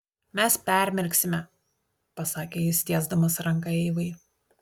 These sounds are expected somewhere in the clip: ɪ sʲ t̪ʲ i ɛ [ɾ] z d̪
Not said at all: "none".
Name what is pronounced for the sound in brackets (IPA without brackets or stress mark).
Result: none